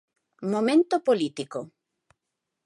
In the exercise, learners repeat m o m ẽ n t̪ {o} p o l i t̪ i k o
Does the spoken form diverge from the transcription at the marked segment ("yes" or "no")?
no